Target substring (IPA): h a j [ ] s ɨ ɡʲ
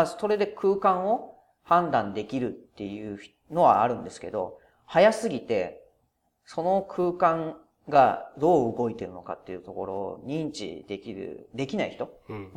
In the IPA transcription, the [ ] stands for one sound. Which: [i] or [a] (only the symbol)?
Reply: a